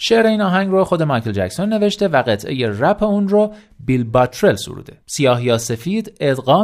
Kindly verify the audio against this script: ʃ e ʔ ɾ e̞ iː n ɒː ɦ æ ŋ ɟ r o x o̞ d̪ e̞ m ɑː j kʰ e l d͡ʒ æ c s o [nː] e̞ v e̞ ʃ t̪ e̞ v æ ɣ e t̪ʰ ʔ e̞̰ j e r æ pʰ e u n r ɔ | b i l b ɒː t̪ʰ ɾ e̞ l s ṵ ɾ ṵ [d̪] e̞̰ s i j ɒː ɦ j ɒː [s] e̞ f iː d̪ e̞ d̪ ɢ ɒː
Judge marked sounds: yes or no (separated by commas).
yes, yes, yes